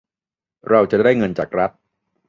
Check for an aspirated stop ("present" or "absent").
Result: absent